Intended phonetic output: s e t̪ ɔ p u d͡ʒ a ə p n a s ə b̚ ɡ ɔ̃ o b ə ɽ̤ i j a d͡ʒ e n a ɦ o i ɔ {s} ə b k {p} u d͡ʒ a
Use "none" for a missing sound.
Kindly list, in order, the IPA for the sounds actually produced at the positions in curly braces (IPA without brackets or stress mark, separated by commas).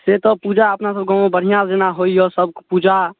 s, p